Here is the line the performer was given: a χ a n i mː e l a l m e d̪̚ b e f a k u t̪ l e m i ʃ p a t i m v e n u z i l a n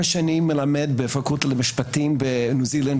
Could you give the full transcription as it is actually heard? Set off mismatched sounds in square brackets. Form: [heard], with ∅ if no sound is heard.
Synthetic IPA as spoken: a [ʃ] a n i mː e l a [∅] m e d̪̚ b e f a k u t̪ l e m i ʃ p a t i m [b] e n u z i l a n